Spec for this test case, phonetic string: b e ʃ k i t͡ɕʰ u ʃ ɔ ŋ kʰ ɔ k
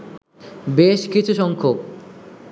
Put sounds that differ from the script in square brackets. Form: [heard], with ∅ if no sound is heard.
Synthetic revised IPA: b e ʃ k i t͡ɕʰ u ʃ ɔ ŋ kʰ [o] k